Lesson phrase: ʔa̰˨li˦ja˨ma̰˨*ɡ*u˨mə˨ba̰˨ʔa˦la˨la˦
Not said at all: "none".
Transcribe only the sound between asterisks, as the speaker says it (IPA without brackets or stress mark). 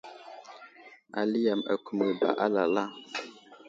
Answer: k